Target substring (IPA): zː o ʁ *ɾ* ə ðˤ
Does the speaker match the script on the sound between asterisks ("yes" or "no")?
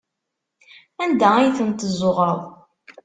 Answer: yes